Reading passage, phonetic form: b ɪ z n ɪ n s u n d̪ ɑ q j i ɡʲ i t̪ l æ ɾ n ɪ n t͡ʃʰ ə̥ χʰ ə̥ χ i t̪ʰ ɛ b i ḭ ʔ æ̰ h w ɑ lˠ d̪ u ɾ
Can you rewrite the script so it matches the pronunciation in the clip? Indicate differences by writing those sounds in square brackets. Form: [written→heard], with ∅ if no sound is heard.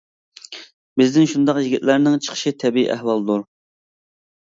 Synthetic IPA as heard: b ɪ z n ɪ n [s→ʃ] u n d̪ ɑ q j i ɡʲ i t̪ l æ ɾ n ɪ [n→ŋ] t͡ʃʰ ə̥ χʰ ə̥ [χ→ʃ] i t̪ʰ ɛ b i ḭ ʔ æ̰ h w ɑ lˠ d̪ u ɾ